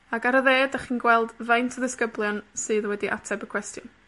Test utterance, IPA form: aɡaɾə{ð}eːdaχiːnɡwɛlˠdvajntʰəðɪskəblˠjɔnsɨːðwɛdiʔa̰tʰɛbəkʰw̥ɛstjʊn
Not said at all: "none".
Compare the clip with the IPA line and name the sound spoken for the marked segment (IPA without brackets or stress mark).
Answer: ð